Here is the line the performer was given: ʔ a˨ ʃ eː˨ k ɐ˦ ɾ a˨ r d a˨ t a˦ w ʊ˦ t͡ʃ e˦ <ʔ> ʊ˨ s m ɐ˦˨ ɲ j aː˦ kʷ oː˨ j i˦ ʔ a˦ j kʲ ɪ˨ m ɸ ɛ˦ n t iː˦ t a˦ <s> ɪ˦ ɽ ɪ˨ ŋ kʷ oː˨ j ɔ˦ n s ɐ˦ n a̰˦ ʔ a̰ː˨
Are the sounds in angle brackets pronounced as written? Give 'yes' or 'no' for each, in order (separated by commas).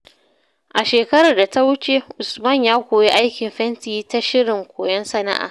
yes, no